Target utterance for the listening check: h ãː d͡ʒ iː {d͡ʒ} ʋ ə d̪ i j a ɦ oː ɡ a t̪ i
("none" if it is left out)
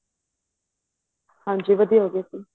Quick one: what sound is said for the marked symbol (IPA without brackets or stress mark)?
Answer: none